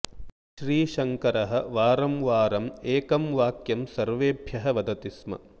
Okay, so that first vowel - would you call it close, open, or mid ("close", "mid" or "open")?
close